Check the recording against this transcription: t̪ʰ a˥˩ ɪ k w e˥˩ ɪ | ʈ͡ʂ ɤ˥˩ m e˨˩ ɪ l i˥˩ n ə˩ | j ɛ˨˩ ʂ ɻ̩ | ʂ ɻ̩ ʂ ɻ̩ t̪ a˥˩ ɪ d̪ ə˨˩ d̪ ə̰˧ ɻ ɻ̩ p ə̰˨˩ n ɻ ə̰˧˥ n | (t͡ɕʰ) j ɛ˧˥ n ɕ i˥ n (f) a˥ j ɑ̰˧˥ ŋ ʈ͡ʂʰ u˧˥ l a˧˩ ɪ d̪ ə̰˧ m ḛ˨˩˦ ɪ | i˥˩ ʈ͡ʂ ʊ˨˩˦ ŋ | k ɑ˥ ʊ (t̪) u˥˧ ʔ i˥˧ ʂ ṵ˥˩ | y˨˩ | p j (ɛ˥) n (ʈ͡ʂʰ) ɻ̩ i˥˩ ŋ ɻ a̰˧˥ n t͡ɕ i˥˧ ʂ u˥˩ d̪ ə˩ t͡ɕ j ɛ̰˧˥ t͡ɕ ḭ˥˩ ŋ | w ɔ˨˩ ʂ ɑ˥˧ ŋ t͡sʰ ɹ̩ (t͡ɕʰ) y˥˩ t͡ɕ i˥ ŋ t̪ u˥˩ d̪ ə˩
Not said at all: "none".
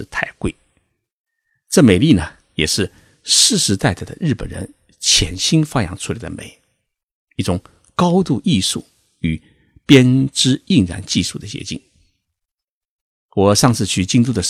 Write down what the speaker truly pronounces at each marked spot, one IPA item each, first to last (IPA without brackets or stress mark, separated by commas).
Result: t͡ɕʰ, f, t̪, ɛ˥, ʈ͡ʂ, t͡ɕʰ